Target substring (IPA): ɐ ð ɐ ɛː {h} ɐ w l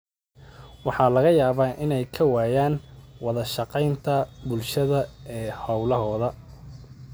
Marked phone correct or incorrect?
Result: correct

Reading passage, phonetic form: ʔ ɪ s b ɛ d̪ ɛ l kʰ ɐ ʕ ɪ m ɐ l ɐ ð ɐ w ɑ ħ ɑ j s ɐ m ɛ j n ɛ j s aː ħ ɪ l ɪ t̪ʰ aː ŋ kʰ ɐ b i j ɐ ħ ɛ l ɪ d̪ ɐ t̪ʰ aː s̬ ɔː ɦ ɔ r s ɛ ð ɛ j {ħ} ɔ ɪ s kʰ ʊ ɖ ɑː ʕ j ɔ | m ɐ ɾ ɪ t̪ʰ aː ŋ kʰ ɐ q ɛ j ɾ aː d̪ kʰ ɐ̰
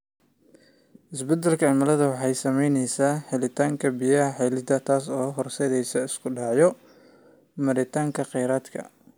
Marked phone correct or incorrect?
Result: incorrect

